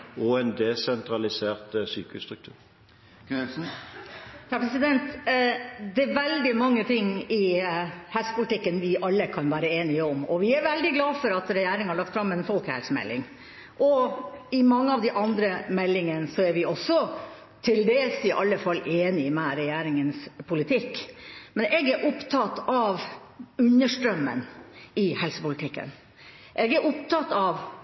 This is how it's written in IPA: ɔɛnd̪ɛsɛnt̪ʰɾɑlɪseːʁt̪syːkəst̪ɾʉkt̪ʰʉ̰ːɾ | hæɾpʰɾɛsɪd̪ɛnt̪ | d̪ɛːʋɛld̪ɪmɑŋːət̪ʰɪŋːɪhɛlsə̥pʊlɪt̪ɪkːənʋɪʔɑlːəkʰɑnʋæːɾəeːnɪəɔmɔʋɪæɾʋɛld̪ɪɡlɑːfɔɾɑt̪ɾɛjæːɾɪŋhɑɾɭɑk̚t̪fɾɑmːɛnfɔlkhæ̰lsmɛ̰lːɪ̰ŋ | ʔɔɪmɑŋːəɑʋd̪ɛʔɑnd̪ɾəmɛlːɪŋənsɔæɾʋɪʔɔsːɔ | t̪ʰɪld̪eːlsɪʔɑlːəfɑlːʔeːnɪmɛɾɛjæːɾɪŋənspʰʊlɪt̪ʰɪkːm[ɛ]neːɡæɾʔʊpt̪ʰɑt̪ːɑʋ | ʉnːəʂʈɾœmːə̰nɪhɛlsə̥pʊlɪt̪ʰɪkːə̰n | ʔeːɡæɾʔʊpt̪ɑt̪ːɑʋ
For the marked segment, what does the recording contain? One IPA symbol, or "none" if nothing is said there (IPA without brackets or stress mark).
ɛ